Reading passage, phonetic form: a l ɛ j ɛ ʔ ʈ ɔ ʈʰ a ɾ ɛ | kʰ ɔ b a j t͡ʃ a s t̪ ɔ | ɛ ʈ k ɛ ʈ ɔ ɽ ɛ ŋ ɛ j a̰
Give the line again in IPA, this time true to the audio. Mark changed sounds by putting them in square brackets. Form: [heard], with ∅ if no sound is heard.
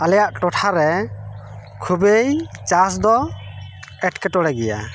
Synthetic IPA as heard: a l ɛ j [a] ʔ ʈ ɔ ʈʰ a ɾ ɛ | kʰ [u] b [e] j t͡ʃ a s [d̪] ɔ | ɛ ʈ k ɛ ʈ ɔ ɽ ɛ [ɡ] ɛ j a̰